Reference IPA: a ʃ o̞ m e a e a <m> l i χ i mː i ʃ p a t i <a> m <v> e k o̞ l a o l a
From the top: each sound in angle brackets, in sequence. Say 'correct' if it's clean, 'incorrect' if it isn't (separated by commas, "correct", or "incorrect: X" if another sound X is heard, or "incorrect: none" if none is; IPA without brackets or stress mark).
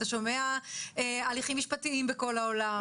incorrect: none, incorrect: i, incorrect: b